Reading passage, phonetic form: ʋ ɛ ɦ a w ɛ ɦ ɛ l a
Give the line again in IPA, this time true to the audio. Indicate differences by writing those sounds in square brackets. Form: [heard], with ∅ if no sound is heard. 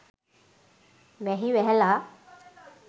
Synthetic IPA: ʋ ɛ ɦ [i] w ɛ ɦ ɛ l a